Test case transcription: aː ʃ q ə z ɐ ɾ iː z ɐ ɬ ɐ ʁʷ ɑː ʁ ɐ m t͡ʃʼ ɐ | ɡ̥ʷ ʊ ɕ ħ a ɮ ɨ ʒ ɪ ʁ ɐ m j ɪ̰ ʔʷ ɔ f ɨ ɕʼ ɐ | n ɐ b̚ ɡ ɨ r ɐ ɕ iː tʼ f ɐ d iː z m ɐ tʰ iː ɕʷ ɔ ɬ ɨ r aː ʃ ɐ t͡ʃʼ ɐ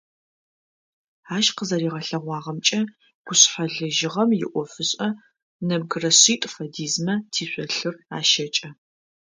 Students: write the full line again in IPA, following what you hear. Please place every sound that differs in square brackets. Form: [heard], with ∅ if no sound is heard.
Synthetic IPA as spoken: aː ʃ q ə z ɐ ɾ iː [ʁ] ɐ ɬ ɐ ʁʷ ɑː ʁ ɐ m t͡ʃʼ ɐ | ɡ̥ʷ ʊ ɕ ħ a ɮ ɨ ʒ ɪ ʁ ɐ m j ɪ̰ ʔʷ ɔ f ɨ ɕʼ ɐ | n ɐ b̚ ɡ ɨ r ɐ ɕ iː tʼ f ɐ d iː z m ɐ tʰ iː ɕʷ ɔ ɬ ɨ r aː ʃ ɐ t͡ʃʼ ɐ